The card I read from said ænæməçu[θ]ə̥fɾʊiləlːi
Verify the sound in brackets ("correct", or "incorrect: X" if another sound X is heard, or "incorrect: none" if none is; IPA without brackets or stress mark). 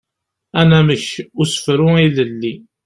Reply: incorrect: s